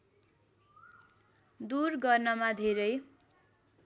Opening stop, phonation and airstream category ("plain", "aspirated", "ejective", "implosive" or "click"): plain